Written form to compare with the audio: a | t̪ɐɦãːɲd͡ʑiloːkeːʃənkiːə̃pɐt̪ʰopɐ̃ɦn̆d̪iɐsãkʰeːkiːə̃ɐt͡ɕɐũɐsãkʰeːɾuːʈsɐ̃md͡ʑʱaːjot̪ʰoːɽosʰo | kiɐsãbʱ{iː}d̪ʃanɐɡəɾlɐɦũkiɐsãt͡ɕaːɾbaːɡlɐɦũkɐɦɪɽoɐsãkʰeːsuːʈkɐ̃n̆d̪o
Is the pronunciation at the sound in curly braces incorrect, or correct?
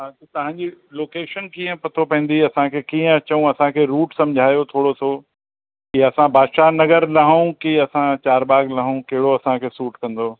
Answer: incorrect